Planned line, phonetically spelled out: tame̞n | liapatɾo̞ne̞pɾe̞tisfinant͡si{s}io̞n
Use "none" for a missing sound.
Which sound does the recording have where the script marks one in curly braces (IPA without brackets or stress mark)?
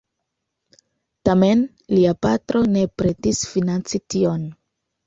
t